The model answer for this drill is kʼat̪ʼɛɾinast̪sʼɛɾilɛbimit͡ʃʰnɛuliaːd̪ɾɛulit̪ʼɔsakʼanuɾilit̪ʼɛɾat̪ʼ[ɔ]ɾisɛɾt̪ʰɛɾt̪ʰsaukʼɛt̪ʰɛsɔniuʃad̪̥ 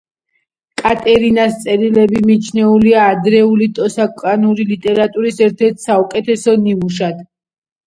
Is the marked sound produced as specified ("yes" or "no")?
no